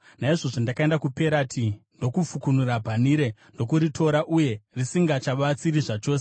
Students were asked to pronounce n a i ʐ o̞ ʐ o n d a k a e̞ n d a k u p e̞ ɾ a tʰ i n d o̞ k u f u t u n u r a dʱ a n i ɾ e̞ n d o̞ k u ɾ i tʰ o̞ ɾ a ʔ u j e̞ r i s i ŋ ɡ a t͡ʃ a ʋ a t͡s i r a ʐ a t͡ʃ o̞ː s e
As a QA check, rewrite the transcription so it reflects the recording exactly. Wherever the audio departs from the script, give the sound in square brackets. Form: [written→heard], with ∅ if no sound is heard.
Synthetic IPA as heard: n a i ʐ o̞ ʐ o n d a k a e̞ n d a k u p e̞ ɾ a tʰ i n d o̞ k u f u [t→k] u n u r a [dʱ→bʱ] a n i ɾ e̞ n d o̞ k u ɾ i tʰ o̞ ɾ a ʔ u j e̞ r i s i ŋ ɡ a t͡ʃ a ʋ a t͡s i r [a→i] ʐ a t͡ʃ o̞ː s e